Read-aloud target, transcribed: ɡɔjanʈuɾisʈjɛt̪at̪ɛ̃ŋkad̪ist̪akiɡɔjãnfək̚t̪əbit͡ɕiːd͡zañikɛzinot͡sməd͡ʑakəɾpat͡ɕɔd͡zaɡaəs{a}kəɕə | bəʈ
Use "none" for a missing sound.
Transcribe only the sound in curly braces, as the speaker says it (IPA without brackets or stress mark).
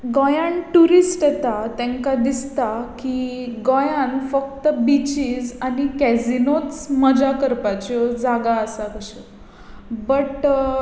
a